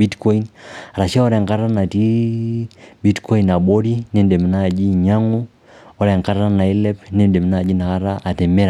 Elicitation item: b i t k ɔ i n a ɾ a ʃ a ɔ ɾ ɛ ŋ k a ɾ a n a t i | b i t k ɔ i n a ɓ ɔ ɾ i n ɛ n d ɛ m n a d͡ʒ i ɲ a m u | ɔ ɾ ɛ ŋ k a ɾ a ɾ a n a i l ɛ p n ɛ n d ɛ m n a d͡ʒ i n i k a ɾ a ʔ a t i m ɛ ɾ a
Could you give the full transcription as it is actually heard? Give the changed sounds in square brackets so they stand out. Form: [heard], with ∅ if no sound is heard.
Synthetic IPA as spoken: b i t k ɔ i n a ɾ a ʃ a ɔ ɾ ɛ ŋ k a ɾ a n a t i | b i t k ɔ i n a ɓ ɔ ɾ i n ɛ n d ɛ m n a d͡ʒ i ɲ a [ŋ] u | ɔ ɾ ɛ ŋ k a ɾ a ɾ a n a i l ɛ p n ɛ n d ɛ m n a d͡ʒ i n [a] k a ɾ a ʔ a t [ɛ] m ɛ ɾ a